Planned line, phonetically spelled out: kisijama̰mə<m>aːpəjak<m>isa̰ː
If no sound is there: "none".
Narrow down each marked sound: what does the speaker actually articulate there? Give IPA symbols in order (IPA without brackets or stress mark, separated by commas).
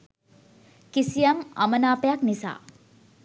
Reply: n, n